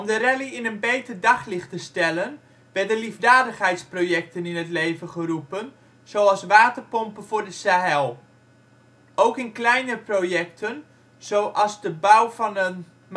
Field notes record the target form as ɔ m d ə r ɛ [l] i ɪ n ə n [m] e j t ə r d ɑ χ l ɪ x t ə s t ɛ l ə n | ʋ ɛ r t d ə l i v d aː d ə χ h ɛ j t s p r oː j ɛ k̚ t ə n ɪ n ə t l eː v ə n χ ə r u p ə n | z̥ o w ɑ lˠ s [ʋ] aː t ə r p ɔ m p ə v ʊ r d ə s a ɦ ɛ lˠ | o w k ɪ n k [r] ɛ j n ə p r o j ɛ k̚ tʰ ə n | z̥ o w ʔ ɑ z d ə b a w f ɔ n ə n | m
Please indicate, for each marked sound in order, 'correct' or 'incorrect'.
correct, incorrect: b, correct, incorrect: l

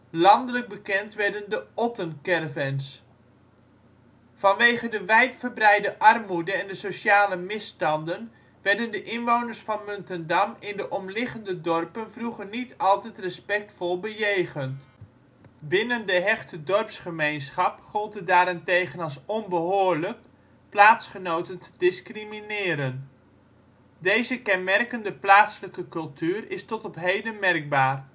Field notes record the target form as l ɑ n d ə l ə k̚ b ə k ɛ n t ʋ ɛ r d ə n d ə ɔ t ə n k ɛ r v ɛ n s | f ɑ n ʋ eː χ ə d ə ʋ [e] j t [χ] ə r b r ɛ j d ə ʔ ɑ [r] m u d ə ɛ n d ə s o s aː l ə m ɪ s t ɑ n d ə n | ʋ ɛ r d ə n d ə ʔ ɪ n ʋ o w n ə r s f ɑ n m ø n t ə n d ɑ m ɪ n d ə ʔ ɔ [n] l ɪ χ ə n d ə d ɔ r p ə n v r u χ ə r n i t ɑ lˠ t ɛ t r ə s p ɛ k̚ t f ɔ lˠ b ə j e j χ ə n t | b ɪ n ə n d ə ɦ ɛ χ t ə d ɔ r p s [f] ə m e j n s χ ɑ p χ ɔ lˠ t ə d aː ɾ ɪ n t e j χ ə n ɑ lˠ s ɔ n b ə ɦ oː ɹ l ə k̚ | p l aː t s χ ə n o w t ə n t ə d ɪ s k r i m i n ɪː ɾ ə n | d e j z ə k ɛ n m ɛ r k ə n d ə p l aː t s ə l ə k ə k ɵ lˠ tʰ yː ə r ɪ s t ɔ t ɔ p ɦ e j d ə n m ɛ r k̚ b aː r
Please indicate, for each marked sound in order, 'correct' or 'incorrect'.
incorrect: ɛ, incorrect: f, correct, incorrect: m, incorrect: χ

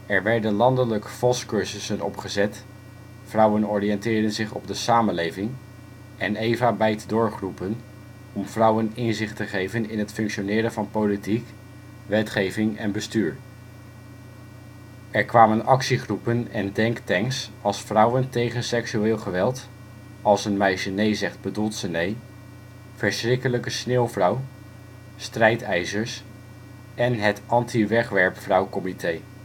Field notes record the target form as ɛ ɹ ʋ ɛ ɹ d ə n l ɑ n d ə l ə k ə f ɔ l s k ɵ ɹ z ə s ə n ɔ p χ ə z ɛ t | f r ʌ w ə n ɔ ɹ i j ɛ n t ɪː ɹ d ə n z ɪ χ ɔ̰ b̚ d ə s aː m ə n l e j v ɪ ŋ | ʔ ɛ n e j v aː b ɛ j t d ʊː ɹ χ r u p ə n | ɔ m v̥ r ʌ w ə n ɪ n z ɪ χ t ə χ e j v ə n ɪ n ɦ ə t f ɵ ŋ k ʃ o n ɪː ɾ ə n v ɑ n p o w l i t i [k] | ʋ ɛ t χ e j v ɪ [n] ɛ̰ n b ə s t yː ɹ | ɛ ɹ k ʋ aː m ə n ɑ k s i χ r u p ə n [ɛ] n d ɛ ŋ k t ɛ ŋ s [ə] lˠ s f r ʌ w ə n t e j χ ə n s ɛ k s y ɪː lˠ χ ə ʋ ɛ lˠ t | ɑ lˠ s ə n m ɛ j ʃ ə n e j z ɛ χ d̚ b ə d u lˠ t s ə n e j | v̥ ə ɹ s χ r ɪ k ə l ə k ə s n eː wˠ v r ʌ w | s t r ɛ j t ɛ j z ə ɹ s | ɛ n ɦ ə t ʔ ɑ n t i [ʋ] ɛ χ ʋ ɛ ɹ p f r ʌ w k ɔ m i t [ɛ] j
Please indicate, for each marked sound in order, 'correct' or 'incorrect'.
correct, incorrect: ŋ, correct, incorrect: ɑ, correct, incorrect: e

